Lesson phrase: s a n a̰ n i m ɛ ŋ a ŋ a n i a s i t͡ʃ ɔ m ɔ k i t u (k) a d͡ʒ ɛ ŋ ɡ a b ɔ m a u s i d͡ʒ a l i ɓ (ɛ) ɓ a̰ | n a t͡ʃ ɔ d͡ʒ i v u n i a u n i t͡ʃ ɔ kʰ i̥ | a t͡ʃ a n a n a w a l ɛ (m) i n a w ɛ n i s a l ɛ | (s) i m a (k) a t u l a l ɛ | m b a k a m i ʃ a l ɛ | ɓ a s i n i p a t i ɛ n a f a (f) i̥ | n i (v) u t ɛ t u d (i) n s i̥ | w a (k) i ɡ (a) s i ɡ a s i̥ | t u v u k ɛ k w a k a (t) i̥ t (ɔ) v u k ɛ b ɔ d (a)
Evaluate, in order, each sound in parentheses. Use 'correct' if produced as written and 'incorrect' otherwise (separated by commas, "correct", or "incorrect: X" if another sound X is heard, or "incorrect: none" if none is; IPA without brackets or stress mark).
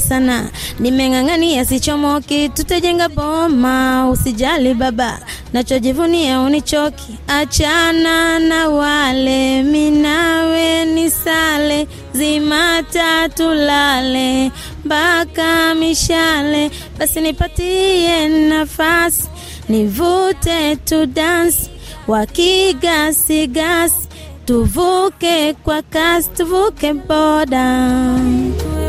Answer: incorrect: t, incorrect: a, correct, incorrect: z, incorrect: t, incorrect: s, correct, incorrect: a, correct, correct, incorrect: s, incorrect: u, correct